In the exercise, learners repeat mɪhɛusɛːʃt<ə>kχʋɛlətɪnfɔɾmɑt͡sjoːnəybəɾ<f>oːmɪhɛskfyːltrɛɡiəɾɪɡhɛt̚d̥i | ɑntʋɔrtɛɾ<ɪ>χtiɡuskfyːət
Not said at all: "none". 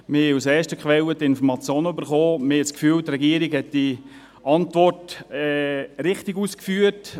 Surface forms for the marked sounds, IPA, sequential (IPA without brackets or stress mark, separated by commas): ə, χ, ɪ